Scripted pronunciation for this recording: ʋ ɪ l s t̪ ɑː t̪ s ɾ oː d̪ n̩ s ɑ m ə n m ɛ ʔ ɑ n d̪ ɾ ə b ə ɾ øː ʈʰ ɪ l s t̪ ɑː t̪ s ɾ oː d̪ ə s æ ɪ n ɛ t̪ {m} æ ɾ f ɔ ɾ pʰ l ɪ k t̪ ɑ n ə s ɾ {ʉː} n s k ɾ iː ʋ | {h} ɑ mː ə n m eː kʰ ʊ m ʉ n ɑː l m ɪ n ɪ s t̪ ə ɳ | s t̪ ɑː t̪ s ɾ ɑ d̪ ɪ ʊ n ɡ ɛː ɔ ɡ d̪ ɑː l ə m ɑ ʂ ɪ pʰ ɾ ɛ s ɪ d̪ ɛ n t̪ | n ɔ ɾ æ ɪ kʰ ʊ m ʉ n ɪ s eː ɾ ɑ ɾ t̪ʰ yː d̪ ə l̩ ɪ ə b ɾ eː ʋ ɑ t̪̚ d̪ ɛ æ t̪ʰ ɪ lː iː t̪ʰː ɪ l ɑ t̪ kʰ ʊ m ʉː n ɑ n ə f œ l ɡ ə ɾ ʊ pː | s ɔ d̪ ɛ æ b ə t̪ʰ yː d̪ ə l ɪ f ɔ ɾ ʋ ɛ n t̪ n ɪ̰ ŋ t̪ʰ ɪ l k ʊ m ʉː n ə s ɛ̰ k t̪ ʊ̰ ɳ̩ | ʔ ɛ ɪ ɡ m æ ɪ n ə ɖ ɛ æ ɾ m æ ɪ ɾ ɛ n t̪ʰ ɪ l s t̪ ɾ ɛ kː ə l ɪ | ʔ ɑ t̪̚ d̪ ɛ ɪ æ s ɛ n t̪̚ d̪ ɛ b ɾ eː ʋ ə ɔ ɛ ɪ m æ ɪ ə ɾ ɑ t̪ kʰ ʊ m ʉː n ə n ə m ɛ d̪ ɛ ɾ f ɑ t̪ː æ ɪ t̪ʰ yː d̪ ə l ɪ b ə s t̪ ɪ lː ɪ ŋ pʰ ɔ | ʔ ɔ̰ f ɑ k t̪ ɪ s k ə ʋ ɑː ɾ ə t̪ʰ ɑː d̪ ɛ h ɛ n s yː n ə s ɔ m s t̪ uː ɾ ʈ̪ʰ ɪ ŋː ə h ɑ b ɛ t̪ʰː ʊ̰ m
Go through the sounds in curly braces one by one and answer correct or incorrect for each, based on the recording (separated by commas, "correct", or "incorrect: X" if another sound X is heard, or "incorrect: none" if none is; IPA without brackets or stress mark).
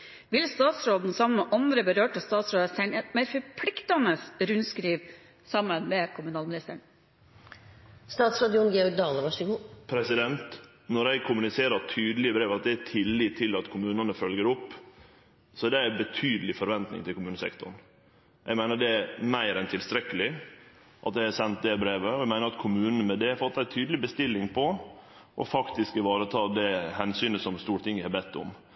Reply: correct, incorrect: ʉ, incorrect: s